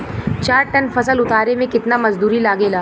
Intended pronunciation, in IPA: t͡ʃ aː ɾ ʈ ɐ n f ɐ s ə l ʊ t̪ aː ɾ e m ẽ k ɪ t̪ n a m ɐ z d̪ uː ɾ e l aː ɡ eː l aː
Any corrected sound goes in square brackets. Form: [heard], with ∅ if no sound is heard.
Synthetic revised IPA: t͡ʃ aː ɾ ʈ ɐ n f ɐ s ə l ʊ t̪ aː ɾ e m ẽ k ɪ t̪ n a m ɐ z d̪ uː ɾ [i] l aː ɡ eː l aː